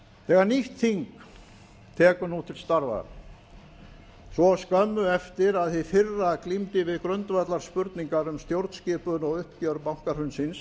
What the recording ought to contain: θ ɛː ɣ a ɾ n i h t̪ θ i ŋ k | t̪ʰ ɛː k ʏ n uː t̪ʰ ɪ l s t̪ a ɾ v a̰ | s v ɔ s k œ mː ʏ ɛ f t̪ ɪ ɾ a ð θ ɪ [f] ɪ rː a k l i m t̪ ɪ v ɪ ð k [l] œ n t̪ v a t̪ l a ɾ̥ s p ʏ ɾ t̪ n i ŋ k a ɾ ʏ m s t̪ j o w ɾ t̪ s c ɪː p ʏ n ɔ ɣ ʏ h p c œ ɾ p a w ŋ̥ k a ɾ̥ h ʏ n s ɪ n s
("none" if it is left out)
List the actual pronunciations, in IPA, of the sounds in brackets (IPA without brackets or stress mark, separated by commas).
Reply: f, ɾ